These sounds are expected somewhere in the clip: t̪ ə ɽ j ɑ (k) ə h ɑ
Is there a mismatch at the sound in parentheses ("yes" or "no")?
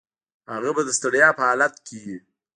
yes